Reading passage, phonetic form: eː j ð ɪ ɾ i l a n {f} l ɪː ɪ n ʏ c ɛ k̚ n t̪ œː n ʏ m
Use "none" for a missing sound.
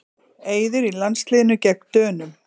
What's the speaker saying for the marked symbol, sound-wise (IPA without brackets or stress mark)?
s